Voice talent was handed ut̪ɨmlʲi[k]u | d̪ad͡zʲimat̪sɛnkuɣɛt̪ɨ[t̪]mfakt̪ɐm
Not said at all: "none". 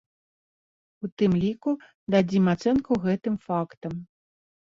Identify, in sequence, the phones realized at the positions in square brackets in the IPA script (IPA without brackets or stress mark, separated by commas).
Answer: k, none